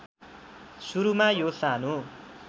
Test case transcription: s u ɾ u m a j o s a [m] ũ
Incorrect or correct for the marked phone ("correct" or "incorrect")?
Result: incorrect